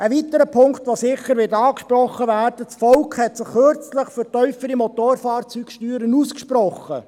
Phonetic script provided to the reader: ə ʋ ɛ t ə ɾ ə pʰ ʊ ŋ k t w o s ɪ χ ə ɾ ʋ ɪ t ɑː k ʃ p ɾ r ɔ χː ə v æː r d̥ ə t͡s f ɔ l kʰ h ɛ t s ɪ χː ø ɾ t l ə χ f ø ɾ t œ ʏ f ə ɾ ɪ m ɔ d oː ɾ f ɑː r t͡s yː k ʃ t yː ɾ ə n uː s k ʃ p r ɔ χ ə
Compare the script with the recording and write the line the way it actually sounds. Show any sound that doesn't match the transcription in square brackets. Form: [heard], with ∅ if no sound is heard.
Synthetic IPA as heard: ə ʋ [i] t ə ɾ ə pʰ ʊ ŋ k t [ʋ] o s ɪ χ ə ɾ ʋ ɪ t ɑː k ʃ p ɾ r ɔ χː ə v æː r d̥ ə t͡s f ɔ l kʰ h ɛ t s ɪ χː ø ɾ [t͡s] l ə χ f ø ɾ t œ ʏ f ə ɾ [i] m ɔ [t] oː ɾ f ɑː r t͡s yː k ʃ t yː ɾ ə n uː s k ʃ p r ɔ χ ə

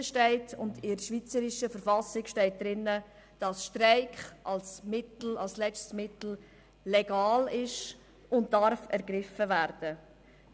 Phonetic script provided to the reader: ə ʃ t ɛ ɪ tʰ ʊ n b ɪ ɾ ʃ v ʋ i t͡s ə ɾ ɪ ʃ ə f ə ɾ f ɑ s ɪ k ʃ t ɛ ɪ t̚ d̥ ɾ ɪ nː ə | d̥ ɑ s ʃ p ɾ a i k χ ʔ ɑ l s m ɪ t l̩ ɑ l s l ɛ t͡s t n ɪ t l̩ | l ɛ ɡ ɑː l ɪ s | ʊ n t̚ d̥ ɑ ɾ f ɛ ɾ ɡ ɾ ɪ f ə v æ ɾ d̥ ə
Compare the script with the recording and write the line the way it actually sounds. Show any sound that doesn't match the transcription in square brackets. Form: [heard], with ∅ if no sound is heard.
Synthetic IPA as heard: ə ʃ t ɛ ɪ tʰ ʊ n [d] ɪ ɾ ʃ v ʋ i t͡s ə ɾ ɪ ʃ ə f ə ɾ f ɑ s ɪ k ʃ t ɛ ɪ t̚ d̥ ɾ ɪ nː ə | d̥ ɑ s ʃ [t] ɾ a [ɪ] k χ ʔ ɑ l s m ɪ t l̩ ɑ l s l ɛ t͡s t [m] ɪ t l̩ | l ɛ ɡ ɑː l ɪ [ʃ] | ʊ n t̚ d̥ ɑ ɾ f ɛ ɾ ɡ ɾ ɪ f ə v æ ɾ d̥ ə

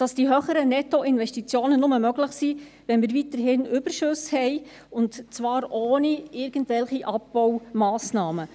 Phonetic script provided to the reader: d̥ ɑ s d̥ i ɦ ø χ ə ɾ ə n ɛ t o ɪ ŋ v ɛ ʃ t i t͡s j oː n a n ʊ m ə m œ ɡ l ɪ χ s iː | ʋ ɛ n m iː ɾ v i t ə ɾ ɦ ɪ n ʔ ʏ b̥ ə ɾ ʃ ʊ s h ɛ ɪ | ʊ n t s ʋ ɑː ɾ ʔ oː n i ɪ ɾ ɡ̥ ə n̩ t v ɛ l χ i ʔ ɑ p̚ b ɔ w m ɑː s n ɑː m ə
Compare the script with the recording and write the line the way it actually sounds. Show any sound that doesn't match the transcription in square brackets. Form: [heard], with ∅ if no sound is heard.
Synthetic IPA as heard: d̥ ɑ s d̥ i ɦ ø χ ə ɾ ə n ɛ t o ɪ [n] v ɛ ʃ t i t͡s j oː n [ə] n ʊ m ə m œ ɡ l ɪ χ s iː | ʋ ɛ n m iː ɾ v i t ə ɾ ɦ ɪ n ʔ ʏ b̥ ə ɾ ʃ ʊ s h ɛ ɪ | ʊ n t [t͡s] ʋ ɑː ɾ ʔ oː n i ɪ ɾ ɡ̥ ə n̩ t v ɛ l χ i ʔ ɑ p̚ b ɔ w m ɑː s n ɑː m ə

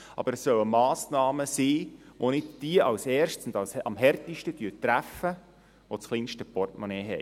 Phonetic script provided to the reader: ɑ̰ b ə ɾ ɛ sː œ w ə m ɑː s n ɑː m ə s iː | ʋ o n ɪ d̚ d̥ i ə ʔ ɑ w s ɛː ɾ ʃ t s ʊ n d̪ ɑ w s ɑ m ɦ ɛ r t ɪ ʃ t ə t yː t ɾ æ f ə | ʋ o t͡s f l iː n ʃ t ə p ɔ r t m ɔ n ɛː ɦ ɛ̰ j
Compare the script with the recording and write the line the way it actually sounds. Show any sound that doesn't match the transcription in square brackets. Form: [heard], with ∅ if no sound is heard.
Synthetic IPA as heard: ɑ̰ b ə ɾ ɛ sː œ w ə m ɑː s n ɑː m ə s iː | ʋ o n ɪ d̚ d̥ i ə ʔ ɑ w s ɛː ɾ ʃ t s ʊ n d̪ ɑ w s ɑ m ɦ ɛ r t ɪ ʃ t ə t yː t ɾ æ f ə | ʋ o t͡s [χ] l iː n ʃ t ə p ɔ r t m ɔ n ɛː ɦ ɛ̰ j

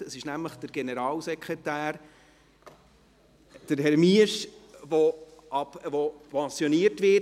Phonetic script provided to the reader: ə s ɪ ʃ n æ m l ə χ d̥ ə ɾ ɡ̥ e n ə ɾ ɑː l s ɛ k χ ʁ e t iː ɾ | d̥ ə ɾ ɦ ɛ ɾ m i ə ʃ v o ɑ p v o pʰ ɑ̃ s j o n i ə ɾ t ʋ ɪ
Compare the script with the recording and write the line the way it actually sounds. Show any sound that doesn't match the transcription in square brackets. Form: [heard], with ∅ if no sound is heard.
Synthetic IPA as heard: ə s ɪ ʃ n æ m l ə χ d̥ ə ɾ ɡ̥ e n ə ɾ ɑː l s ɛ k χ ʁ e t [æː] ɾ | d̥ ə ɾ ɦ ɛ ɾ m i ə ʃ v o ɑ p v o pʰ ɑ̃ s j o n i ə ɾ t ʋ ɪ

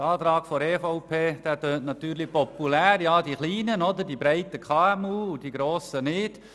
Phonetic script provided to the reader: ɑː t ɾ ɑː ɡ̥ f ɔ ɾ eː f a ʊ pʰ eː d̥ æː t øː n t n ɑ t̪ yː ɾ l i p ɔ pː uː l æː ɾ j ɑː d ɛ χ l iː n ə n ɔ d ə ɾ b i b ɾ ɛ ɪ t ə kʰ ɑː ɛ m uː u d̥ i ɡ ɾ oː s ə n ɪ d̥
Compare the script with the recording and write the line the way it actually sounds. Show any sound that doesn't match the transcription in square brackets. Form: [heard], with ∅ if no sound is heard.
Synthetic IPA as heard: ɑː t ɾ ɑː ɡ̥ f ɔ ɾ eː f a ʊ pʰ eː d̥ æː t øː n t n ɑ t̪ yː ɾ l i p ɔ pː [u] l æː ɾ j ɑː d [i] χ l iː n ə n ɔ d ə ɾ [d] i b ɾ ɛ ɪ t ə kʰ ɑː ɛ m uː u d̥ i ɡ ɾ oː s ə n ɪ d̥

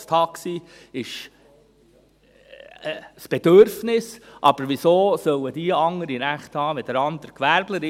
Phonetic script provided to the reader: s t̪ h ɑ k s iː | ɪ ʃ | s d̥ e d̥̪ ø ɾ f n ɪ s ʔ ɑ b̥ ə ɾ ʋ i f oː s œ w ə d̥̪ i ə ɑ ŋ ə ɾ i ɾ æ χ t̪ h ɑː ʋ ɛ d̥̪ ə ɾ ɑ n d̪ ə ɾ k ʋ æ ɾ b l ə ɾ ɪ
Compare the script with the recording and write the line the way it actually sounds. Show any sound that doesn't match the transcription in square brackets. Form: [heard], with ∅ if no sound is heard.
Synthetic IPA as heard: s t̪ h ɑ k s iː | ɪ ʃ | s [b̥] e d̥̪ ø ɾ f n ɪ s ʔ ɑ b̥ ə ɾ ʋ i [s] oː s œ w ə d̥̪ i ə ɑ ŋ ə ɾ i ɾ æ χ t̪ h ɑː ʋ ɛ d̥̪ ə ɾ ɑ n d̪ ə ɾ k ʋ æ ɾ b l ə ɾ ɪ

